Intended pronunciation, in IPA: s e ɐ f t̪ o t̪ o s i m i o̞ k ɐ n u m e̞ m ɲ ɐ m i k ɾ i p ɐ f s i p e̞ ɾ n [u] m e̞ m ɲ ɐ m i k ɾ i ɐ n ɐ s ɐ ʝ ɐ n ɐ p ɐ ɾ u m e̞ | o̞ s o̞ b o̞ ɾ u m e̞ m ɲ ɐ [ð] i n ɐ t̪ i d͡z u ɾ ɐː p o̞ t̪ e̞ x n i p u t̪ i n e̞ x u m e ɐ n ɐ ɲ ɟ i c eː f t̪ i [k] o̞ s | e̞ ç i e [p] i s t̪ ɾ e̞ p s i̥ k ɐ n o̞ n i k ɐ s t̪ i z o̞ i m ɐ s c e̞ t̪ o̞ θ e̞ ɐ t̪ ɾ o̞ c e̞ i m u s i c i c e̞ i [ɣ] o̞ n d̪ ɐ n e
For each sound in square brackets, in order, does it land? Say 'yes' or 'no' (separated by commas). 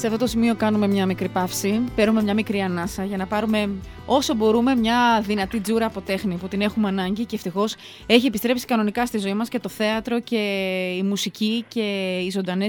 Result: yes, yes, no, yes, no